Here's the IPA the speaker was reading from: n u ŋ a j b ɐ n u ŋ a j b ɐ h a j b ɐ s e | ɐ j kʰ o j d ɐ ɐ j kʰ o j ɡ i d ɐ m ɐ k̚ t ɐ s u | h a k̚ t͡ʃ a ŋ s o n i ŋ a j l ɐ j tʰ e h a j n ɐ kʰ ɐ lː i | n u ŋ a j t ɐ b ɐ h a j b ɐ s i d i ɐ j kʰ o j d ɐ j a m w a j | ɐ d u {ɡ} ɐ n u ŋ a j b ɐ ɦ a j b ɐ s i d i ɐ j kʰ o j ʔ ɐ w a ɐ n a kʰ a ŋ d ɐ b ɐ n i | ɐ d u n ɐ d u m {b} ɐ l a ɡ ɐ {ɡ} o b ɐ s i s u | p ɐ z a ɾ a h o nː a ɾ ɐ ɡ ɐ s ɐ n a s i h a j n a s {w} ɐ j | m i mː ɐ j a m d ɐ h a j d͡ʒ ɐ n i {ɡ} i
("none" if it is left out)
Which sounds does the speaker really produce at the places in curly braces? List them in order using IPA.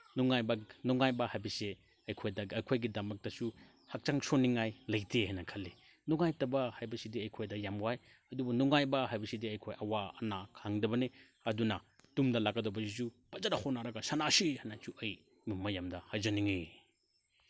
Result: b, d, d, u, ŋ

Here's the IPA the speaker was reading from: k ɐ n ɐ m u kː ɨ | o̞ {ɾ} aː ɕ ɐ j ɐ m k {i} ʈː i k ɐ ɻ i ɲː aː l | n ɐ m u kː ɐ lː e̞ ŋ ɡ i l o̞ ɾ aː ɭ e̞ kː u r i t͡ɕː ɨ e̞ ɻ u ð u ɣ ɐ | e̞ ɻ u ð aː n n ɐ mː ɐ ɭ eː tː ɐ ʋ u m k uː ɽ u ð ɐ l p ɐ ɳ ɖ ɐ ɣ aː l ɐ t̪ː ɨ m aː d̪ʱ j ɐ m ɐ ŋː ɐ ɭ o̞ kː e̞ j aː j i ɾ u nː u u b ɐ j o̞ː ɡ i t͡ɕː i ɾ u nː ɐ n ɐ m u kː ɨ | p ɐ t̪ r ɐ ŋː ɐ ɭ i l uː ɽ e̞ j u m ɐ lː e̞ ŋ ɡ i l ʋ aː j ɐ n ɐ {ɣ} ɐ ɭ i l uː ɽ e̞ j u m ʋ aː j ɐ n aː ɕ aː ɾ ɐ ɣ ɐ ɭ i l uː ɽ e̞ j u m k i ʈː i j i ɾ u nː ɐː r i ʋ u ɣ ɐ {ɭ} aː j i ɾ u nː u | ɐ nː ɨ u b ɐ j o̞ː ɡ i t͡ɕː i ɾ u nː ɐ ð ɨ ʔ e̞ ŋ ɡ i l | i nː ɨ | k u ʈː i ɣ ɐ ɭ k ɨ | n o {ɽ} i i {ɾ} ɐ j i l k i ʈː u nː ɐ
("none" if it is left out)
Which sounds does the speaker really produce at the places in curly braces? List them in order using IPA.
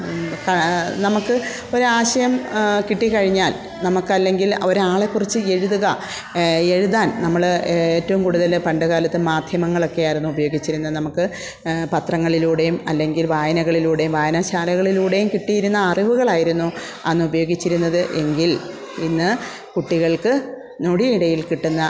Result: ɾ, i, ɣ, ɭ, ɽ, ɽ

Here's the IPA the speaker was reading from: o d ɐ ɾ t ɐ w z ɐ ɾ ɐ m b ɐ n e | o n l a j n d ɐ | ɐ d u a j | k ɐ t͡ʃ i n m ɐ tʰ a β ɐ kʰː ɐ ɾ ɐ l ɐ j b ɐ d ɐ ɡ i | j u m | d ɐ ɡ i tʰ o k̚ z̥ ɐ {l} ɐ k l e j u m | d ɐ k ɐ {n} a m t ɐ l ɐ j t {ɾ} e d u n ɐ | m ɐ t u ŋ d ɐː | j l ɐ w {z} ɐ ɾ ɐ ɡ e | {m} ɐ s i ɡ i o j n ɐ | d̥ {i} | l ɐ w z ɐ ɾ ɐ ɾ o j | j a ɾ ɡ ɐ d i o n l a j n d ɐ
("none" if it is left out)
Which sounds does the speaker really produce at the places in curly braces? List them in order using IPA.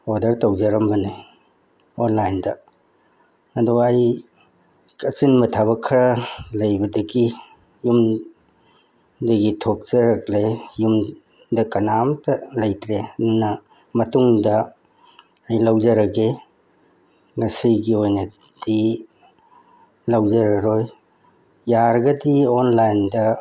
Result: ɾ, n, ɾ, z, ŋ, i

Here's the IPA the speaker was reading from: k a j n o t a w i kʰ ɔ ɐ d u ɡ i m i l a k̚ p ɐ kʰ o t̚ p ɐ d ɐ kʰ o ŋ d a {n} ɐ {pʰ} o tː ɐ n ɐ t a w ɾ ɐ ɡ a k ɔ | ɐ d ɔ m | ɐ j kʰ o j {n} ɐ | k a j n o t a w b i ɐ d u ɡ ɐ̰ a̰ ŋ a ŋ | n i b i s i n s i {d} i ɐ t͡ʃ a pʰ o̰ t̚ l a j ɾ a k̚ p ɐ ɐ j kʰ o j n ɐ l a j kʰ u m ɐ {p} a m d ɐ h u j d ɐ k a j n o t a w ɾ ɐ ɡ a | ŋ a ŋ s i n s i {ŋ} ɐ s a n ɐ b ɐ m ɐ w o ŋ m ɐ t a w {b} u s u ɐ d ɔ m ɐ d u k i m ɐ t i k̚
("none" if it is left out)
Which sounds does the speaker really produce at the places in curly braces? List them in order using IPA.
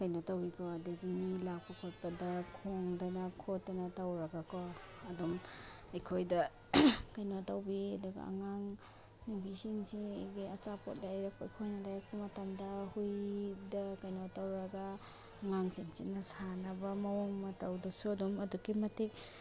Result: n, kʰ, d, ɡ, t, n, d

